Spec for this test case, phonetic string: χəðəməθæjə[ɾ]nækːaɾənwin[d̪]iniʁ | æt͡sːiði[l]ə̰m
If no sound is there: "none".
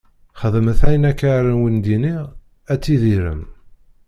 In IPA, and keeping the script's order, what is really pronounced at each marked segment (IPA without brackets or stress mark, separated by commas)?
none, d̪, ɾ